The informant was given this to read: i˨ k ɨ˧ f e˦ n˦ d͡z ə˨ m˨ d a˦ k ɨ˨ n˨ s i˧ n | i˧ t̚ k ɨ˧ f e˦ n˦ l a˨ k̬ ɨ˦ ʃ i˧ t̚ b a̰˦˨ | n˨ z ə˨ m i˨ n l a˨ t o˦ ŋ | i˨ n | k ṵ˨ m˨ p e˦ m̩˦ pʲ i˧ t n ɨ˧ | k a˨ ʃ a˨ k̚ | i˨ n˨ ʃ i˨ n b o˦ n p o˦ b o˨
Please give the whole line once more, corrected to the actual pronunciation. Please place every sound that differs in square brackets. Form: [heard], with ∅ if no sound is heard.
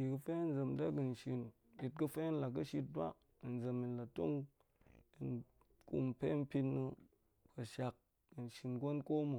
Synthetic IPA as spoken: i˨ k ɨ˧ f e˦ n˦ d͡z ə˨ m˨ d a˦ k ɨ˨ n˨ [ʃ] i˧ n | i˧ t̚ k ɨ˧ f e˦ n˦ l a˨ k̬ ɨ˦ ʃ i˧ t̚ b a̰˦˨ | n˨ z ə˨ m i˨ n l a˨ t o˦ ŋ | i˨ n | k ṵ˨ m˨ p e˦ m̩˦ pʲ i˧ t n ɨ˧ | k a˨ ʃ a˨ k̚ | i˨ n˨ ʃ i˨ n [ɡ] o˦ n [k] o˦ [m] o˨